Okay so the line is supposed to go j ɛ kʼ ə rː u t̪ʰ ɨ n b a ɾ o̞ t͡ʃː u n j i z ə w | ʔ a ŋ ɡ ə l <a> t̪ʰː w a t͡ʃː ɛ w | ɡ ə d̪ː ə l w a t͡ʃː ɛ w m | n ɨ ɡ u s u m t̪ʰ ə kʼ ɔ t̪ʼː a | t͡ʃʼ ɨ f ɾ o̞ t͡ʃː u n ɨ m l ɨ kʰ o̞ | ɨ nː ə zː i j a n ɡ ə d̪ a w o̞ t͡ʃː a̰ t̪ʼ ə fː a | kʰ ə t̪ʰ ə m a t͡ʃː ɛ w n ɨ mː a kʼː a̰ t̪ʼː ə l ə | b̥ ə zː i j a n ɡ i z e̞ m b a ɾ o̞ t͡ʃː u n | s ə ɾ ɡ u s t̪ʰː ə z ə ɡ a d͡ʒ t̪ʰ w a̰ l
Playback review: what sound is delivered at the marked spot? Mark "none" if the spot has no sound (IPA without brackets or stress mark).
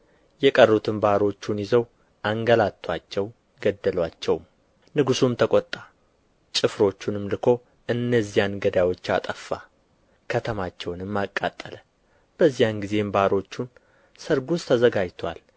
a